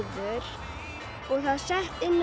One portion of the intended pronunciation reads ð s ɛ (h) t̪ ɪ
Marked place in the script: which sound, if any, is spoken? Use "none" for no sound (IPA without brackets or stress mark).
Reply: h